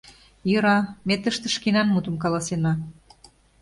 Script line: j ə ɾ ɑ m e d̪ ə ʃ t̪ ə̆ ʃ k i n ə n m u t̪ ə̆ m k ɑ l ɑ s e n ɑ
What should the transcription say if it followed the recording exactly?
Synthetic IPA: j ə ɾ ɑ m e t̪ ə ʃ t̪ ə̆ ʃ k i n ɑ n m u t̪ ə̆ m k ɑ l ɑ s e n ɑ